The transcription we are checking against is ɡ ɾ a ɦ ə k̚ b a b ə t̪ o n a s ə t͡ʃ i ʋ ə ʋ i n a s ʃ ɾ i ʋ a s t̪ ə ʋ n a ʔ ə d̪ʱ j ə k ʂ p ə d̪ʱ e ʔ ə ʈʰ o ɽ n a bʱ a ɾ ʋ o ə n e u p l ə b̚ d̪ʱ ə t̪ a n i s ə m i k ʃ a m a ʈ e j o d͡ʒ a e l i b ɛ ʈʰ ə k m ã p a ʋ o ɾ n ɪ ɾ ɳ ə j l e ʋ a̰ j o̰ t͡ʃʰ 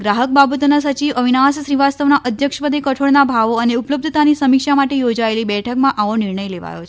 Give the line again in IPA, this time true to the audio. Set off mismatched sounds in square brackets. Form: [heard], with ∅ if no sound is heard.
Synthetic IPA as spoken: ɡ ɾ a ɦ ə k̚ b a b ə t̪ o n a s ə t͡ʃ i ʋ ə ʋ i n a s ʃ ɾ i ʋ a s t̪ ə ʋ n a ʔ ə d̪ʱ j ə k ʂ p ə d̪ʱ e [k] ə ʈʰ o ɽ n a bʱ a [∅] ʋ o ə n e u p l ə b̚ d̪ʱ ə t̪ a n i s ə m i k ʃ a m a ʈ e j o d͡ʒ a e l i b ɛ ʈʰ ə k m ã [ʔ] a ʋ o [∅] n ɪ ɾ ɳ ə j l e ʋ a̰ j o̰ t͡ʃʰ